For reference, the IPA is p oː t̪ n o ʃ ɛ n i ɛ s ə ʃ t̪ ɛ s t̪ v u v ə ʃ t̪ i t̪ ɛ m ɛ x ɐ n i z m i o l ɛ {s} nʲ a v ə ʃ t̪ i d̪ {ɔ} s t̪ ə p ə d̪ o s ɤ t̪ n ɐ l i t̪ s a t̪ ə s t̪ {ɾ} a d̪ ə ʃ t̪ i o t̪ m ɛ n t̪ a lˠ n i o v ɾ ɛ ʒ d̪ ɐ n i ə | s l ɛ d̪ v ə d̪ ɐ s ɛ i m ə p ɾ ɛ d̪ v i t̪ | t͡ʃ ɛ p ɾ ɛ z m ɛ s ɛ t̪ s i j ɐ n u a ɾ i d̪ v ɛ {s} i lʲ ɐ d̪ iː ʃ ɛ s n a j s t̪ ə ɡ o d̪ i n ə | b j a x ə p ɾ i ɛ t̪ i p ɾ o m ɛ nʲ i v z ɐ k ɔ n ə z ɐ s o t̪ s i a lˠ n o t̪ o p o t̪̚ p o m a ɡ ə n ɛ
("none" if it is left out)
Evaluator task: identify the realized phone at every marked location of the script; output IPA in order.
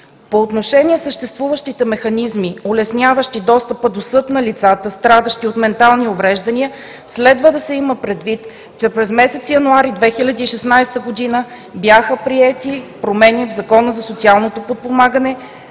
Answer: s, ɔ, ɾ, x

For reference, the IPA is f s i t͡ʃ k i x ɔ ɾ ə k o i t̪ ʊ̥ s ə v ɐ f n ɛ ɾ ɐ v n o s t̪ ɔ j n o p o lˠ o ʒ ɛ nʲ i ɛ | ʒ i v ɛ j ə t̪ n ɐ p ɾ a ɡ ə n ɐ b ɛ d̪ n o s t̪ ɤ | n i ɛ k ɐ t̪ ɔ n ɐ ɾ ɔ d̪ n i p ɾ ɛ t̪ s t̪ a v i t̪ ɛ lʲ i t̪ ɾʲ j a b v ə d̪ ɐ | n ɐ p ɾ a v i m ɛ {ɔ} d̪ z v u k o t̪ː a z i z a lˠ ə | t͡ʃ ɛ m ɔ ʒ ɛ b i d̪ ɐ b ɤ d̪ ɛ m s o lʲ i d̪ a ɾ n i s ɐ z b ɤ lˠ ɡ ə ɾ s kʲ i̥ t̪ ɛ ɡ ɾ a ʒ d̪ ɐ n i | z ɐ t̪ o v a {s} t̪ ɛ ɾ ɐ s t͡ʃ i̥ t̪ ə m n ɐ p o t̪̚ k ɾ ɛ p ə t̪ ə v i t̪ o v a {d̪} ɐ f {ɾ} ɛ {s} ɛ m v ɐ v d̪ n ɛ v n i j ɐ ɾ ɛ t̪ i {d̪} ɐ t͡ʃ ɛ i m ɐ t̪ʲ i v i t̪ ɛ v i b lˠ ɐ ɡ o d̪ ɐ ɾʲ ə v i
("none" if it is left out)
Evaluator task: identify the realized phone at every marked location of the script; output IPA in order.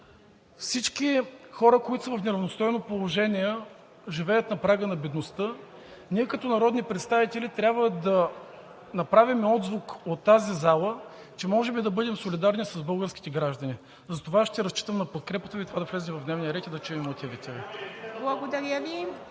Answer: ɔ, ʃ, d̪, l, z, d̪

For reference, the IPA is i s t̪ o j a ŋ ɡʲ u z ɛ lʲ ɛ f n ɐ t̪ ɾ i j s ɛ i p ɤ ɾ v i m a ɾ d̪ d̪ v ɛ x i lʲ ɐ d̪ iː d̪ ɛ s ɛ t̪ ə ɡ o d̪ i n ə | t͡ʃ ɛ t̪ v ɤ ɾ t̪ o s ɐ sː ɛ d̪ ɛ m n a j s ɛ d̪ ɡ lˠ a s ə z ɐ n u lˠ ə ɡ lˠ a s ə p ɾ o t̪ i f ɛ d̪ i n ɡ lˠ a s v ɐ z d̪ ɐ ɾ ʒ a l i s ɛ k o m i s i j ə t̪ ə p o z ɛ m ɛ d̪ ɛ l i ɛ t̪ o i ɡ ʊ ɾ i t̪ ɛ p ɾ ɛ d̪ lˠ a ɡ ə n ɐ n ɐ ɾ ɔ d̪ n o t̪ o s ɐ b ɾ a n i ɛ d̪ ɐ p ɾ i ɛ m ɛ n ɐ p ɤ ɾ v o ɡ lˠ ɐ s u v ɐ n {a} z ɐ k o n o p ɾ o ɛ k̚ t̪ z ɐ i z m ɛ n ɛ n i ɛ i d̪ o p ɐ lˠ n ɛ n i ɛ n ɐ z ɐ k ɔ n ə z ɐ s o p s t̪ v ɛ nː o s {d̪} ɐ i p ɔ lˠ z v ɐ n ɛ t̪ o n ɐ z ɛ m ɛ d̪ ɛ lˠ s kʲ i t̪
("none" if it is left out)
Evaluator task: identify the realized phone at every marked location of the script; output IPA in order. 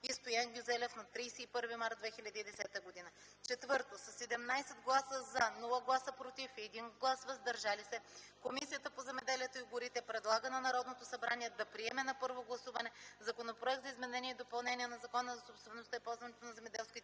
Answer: ɛ, t̪

